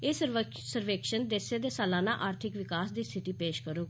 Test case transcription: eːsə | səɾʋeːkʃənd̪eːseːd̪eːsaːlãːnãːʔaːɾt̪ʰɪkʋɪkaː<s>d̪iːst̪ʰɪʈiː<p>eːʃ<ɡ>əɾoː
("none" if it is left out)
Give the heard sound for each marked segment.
s, p, k

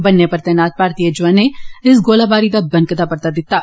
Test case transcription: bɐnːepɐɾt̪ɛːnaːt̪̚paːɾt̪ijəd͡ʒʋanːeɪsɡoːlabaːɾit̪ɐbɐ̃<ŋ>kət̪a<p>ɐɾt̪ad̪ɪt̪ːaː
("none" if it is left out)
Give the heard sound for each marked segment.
n, p

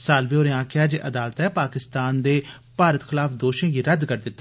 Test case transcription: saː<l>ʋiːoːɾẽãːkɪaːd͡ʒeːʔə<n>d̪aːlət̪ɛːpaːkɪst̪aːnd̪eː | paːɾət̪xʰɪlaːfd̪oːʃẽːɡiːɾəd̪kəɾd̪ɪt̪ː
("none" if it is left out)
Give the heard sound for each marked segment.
l, none

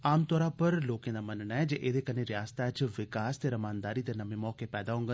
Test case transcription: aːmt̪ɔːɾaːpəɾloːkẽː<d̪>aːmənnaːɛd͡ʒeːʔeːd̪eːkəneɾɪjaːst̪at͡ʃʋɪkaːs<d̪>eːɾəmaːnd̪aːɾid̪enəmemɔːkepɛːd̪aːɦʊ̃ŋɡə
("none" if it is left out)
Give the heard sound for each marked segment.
d̪, t̪

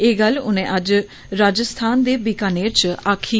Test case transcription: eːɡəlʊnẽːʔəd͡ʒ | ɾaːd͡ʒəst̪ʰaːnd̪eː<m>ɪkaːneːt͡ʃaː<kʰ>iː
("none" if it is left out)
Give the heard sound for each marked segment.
b, kʰ

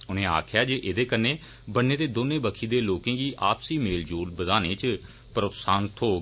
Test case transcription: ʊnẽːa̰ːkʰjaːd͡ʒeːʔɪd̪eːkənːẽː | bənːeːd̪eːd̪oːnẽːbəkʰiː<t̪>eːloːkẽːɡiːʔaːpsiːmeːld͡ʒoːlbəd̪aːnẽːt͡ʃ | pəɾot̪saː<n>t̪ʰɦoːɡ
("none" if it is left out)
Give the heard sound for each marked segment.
d̪, n

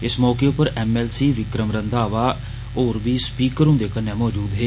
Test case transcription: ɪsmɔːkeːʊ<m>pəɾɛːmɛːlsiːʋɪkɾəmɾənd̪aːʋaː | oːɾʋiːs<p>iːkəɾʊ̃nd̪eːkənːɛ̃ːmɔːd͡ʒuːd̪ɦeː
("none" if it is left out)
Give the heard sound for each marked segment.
none, p

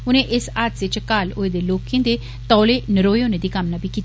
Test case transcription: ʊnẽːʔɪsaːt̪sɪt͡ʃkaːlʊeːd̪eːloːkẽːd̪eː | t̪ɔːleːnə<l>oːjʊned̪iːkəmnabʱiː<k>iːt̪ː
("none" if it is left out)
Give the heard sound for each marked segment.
ɾ, k

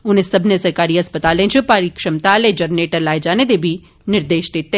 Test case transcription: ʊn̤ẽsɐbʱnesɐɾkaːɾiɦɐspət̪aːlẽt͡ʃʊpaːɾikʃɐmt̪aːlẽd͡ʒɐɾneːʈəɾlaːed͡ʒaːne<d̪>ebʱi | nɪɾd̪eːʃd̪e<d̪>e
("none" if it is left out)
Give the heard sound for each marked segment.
d̪, t̪

